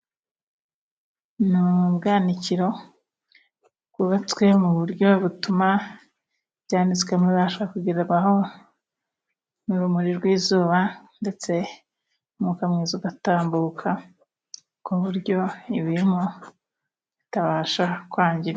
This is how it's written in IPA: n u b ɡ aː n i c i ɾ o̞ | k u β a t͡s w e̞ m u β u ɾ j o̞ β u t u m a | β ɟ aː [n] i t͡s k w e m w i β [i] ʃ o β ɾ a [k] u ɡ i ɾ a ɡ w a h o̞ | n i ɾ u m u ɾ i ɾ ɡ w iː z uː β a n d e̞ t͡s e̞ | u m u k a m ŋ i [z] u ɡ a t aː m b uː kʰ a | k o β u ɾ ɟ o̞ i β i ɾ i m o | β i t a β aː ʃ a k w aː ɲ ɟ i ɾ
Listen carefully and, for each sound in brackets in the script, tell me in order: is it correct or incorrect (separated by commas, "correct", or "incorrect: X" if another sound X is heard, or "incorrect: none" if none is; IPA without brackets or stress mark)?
correct, incorrect: a, correct, correct